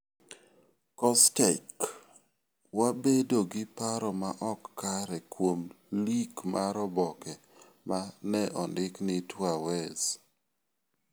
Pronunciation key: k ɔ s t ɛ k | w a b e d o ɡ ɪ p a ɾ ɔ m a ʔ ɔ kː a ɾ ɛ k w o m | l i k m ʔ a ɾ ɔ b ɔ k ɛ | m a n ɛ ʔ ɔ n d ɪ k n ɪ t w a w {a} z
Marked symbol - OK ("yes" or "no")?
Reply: no